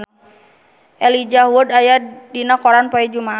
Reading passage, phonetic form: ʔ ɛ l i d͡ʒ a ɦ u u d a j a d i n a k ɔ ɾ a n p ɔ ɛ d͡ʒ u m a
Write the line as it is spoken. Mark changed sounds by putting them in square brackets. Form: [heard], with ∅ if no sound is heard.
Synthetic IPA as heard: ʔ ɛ l i d͡ʒ a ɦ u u d a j a d i n a k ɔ ɾ a n p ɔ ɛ d͡ʒ u m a